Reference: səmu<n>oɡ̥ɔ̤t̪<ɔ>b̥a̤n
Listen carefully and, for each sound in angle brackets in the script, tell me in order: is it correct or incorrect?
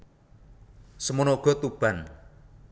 correct, incorrect

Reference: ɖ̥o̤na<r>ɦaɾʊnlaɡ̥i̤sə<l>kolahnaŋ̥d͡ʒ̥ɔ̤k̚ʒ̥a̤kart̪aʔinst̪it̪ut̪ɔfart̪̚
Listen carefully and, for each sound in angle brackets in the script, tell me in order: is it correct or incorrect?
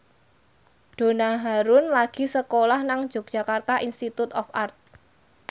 incorrect, incorrect

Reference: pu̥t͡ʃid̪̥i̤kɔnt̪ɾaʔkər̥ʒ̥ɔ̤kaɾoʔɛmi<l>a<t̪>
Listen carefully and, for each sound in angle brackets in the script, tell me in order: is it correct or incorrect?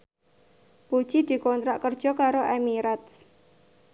incorrect, correct

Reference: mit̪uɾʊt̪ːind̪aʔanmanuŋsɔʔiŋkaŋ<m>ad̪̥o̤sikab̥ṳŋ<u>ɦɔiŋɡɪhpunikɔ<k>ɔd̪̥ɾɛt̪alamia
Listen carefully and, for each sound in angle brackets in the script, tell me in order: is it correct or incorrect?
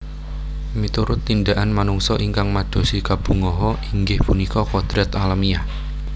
correct, incorrect, correct

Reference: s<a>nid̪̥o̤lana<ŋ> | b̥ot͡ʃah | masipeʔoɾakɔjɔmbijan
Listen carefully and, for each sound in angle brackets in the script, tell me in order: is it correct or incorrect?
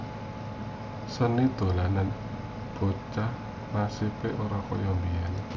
incorrect, incorrect

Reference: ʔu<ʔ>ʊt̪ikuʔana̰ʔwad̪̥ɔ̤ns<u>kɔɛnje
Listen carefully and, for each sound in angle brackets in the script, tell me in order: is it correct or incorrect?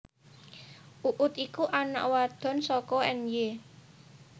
correct, incorrect

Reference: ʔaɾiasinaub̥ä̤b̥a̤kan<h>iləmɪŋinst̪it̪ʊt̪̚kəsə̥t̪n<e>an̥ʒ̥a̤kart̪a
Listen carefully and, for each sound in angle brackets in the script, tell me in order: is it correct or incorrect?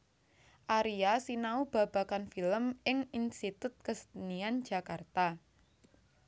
incorrect, incorrect

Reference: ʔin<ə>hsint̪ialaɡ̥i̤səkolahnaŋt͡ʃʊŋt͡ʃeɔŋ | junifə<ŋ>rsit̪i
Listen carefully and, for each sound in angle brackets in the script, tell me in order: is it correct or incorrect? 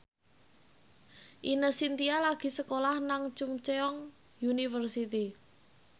correct, incorrect

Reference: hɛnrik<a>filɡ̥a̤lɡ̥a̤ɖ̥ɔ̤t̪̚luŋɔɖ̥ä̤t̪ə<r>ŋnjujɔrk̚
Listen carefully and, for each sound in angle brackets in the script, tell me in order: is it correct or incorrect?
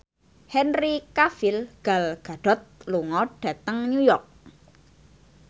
correct, incorrect

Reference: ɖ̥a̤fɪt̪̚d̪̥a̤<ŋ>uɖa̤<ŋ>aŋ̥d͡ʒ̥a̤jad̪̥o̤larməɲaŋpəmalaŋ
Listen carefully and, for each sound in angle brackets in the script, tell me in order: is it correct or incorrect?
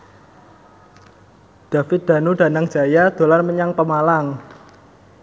incorrect, incorrect

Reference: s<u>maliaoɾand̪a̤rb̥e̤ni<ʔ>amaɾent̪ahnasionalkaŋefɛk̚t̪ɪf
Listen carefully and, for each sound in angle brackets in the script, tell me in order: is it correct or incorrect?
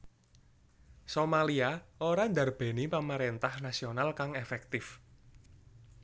incorrect, incorrect

